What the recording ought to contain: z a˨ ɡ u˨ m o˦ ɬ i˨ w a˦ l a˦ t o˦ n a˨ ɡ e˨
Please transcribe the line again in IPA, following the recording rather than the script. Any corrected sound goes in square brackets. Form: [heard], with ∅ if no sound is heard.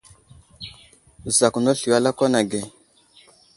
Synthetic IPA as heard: z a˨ [k] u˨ [n] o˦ ɬ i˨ w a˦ l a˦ [k] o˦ n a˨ ɡ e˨